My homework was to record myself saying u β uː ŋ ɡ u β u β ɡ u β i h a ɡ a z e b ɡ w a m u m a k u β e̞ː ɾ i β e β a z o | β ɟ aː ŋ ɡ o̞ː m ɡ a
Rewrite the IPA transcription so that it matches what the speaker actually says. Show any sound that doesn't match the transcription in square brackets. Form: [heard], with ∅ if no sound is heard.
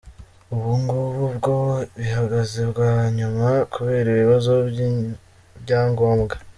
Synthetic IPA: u β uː ŋ ɡ u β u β ɡ [o] β i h a ɡ a z e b ɡ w a [ɲ] u m a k u β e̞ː ɾ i β [i] β a z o | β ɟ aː ŋ ɡ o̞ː m ɡ a